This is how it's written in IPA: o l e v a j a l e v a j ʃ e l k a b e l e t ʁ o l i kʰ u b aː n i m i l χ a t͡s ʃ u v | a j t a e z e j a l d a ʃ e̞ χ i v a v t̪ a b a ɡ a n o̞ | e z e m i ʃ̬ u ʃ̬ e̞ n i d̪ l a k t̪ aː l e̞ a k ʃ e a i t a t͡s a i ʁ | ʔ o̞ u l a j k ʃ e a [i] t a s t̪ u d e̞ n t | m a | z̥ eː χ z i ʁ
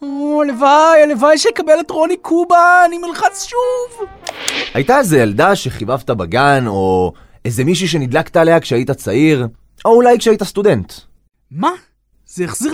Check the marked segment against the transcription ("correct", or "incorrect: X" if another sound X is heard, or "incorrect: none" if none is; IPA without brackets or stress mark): correct